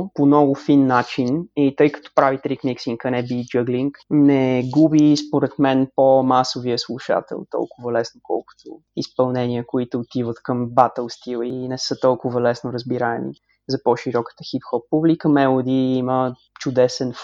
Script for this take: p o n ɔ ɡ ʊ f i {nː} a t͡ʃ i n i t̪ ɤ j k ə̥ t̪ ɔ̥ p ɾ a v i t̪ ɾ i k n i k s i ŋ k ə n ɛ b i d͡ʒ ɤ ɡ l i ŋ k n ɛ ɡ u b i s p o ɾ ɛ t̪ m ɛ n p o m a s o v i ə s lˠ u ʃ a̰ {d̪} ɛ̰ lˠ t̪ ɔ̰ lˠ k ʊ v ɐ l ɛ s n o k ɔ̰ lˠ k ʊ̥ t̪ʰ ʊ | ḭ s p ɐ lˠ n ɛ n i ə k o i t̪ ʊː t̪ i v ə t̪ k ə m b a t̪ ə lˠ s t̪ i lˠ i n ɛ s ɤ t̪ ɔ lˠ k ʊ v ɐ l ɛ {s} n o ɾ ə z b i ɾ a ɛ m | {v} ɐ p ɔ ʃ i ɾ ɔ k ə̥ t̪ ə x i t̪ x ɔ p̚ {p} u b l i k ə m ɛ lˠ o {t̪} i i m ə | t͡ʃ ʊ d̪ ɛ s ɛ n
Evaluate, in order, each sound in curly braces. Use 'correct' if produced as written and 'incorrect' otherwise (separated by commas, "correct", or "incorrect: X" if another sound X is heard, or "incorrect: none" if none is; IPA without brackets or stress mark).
correct, incorrect: t̪, correct, incorrect: z, correct, incorrect: d̪